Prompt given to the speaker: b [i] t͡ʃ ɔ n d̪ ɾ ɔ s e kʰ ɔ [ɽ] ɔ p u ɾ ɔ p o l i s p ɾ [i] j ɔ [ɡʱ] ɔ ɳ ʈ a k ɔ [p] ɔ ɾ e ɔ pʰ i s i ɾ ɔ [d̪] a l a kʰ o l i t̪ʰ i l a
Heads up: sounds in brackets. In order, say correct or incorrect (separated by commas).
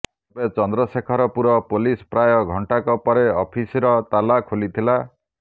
incorrect, incorrect, incorrect, correct, correct, incorrect